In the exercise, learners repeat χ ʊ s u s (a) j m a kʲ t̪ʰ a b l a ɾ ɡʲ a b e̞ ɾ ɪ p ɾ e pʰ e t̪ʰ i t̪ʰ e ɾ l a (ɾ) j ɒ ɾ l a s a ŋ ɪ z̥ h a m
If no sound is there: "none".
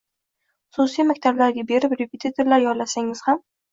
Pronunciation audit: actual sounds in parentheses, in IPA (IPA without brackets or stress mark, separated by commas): i, ɾ